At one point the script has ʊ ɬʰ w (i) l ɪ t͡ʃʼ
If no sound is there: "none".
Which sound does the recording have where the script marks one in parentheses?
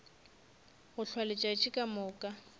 a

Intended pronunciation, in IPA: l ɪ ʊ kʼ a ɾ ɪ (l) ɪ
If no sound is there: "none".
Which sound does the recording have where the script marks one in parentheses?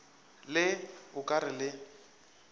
l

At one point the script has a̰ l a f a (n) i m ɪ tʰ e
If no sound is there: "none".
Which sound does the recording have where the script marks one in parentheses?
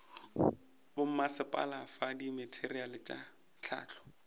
d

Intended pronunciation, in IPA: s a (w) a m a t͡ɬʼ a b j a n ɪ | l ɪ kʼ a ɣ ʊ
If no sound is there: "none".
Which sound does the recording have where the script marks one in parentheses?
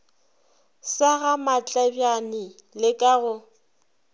ɣ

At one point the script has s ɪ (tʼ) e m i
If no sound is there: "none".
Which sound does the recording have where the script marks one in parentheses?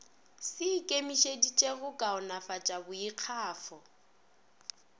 kʼ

